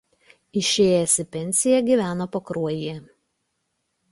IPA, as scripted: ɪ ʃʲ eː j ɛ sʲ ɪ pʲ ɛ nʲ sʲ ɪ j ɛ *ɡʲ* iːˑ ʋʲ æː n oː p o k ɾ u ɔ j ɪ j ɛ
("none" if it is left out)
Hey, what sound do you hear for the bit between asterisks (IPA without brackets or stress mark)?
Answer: ɡʲ